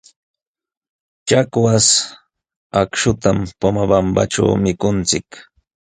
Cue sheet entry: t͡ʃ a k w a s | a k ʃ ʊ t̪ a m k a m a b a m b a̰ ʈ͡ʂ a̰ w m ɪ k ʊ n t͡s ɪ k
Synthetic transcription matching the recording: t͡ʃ a k w a s | a k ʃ ʊ t̪ a m p a m a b a m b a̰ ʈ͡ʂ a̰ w m ɪ k ʊ n t͡s ɪ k